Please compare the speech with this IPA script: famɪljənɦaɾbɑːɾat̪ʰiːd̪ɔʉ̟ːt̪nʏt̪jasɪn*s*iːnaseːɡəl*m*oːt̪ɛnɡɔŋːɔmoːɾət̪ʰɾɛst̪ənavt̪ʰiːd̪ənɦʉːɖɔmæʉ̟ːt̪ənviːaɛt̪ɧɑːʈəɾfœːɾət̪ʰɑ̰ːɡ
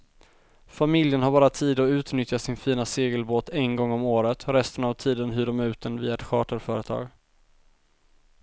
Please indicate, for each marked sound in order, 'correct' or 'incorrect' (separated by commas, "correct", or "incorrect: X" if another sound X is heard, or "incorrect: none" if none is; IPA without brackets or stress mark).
incorrect: f, incorrect: b